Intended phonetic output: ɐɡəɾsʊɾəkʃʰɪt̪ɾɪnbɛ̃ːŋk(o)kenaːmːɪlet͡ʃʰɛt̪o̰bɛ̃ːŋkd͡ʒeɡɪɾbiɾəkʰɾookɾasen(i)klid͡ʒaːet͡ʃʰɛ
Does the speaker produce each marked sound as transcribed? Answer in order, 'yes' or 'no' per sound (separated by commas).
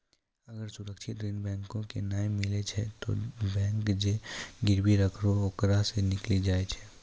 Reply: no, no